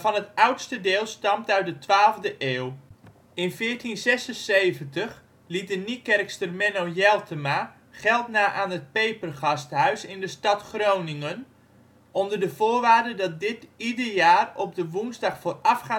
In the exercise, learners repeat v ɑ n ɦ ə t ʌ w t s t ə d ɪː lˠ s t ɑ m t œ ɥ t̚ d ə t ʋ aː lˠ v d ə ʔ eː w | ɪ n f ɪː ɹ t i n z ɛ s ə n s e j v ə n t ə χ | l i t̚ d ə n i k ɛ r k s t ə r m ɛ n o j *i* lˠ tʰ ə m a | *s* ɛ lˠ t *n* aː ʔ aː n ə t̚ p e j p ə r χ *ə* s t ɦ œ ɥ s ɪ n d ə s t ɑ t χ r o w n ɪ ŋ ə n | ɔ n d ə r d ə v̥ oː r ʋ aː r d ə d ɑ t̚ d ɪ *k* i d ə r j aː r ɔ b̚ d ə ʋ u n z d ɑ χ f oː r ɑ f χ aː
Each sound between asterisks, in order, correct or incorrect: incorrect, incorrect, correct, incorrect, incorrect

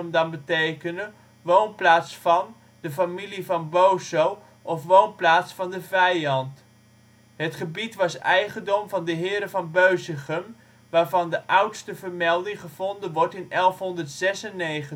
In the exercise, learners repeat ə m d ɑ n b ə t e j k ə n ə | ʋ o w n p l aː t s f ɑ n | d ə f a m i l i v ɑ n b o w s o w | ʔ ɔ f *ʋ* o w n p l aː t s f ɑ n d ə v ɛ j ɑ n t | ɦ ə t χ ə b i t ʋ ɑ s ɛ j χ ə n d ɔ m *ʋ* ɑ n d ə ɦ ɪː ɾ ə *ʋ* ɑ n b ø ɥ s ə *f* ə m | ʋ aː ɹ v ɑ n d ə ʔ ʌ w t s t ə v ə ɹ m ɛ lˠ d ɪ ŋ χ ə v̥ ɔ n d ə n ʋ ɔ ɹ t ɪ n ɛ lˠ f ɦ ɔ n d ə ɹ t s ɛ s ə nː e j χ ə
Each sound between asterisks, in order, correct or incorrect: correct, incorrect, incorrect, incorrect

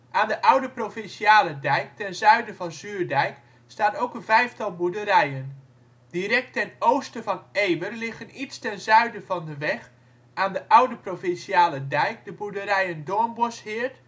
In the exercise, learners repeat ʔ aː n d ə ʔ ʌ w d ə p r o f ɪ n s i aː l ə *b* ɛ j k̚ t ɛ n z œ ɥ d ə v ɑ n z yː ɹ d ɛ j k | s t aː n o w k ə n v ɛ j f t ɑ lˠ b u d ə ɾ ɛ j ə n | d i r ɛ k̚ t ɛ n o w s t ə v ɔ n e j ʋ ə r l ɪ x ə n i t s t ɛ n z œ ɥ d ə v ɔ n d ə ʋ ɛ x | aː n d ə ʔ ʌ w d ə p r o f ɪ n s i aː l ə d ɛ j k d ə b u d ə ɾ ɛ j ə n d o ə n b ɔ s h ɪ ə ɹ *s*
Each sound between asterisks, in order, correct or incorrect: incorrect, incorrect

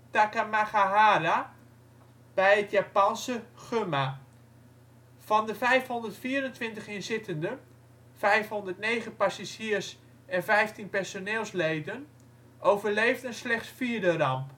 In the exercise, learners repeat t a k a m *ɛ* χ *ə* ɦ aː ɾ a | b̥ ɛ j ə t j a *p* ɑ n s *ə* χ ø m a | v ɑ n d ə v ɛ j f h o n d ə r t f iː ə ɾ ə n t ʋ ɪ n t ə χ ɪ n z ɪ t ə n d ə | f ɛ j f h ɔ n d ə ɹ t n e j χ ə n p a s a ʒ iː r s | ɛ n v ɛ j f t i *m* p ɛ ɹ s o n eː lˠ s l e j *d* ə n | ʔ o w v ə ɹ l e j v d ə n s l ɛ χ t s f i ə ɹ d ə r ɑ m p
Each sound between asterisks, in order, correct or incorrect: incorrect, incorrect, correct, correct, incorrect, correct

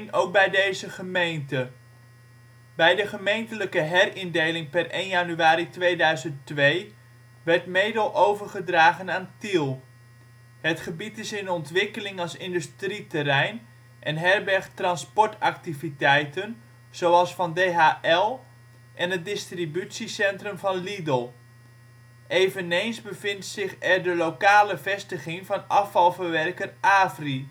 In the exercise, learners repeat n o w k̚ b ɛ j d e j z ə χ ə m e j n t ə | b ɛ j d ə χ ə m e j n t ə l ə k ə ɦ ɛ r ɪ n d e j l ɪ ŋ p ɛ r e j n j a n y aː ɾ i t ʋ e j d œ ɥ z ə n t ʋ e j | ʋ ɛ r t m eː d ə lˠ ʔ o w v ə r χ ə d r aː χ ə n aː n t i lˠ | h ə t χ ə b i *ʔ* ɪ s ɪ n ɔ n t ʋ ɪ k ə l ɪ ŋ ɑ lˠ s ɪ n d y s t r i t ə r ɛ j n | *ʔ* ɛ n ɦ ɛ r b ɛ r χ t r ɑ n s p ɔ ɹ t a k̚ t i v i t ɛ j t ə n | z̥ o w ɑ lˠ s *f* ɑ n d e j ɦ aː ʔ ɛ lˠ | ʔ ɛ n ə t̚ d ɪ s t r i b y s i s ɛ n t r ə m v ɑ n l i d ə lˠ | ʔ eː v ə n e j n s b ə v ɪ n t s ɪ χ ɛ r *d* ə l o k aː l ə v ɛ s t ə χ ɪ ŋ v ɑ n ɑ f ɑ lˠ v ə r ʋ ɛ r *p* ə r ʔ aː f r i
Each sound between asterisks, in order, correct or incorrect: incorrect, correct, correct, correct, incorrect

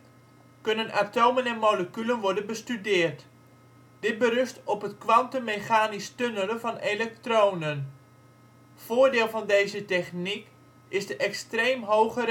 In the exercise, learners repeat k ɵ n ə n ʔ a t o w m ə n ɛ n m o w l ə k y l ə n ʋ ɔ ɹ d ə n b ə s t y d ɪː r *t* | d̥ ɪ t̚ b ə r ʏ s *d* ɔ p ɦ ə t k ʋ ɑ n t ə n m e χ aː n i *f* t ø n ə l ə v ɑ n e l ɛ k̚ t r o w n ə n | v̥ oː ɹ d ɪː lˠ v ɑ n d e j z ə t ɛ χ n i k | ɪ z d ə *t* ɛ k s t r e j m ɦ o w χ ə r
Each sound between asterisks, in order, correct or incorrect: correct, incorrect, incorrect, incorrect

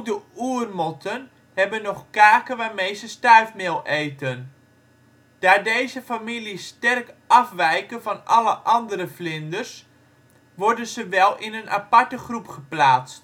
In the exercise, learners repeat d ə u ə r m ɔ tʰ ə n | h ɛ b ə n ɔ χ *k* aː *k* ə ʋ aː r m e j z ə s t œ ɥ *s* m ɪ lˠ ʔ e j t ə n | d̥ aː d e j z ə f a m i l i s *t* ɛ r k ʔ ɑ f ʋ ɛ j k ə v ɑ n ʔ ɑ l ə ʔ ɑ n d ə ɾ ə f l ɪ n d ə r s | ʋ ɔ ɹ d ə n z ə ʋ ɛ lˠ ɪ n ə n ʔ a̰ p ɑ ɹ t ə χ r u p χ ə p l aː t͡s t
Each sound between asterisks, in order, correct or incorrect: correct, correct, incorrect, correct

